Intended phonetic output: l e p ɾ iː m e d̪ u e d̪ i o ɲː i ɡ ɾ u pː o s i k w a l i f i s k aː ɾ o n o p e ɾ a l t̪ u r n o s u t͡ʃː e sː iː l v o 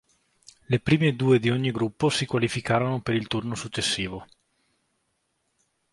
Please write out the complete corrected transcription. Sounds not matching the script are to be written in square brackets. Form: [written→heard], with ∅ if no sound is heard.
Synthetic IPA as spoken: l e p ɾ iː m e d̪ [u→uː] e d̪ i o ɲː i ɡ ɾ u pː o s i k w a l i f i [s→∅] k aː ɾ o n o p e ɾ [a→i] l t̪ u r n o s u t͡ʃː e sː iː [l→∅] v o